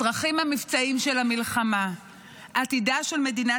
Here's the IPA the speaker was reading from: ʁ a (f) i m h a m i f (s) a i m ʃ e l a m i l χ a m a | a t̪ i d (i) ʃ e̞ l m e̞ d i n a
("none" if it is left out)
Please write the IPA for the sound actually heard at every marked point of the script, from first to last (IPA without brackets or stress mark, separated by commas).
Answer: χ, t͡s, a